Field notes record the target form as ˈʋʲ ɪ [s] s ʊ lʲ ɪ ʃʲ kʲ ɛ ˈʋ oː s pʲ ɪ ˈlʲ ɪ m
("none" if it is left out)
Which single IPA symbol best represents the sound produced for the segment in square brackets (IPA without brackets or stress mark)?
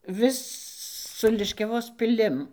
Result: s